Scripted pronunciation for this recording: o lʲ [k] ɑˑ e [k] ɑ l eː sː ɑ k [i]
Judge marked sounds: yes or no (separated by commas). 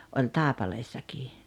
no, no, no